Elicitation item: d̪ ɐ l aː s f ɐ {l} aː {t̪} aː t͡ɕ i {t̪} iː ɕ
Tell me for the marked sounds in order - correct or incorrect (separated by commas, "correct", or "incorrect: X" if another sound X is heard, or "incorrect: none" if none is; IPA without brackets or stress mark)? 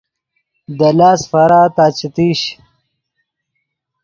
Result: incorrect: ɾ, correct, correct